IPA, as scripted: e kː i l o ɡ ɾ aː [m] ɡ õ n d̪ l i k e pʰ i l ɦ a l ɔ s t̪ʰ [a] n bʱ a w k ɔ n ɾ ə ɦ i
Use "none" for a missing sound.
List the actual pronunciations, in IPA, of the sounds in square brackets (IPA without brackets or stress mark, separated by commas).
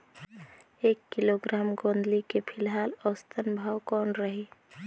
m, ə